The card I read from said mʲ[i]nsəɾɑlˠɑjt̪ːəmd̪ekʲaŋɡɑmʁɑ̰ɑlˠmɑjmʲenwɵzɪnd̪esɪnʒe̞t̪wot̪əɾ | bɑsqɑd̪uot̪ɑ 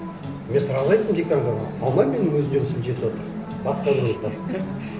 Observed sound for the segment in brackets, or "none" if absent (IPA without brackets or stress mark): e